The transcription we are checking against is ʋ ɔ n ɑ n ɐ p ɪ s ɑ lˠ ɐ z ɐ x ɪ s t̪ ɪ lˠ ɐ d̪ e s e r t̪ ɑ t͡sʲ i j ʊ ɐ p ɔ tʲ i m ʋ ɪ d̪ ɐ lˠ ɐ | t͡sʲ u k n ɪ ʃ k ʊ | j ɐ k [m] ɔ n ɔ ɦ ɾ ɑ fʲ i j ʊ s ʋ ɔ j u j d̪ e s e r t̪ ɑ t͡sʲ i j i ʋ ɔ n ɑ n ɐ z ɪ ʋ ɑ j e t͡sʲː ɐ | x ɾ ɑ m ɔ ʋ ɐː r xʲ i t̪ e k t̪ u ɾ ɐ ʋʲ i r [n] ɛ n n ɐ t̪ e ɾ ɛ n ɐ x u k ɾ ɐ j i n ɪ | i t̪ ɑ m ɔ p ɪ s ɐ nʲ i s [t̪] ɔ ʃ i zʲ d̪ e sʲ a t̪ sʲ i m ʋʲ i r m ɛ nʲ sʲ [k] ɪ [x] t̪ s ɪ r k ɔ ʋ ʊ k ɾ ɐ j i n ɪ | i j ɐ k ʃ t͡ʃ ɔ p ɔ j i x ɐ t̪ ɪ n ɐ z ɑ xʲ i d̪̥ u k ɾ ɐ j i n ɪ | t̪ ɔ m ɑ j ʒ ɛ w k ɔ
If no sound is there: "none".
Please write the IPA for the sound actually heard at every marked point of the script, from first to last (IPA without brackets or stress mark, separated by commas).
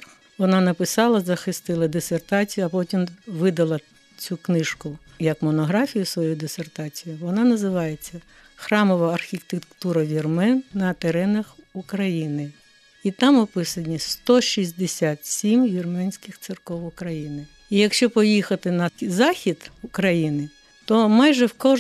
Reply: m, m, t̪, k, x